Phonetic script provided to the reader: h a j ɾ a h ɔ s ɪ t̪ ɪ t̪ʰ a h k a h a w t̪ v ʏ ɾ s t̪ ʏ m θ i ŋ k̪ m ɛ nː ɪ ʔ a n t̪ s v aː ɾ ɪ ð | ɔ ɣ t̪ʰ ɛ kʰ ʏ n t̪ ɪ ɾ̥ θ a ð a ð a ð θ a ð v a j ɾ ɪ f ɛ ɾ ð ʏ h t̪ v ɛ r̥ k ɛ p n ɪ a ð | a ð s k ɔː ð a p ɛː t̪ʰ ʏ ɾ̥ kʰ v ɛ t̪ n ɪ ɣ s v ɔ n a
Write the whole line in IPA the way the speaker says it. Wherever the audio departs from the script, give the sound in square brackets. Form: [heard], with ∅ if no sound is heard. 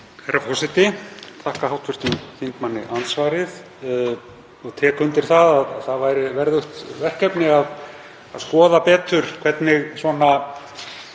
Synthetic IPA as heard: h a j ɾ a [f] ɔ s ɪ t̪ ɪ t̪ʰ a h k a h a w t̪ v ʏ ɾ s t̪ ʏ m θ i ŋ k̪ m [a] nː ɪ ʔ a n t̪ s v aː ɾ ɪ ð | ɔ ɣ t̪ʰ ɛ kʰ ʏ n t̪ ɪ ɾ̥ θ a ð a ð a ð θ a ð v a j ɾ ɪ [v] ɛ ɾ ð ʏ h t̪ v ɛ r̥ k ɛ p n ɪ a ð | a ð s k ɔː ð a p ɛː [t̪] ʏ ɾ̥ kʰ v ɛ t̪ n ɪ ɣ s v ɔ n a